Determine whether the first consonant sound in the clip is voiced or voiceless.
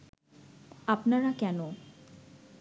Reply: voiceless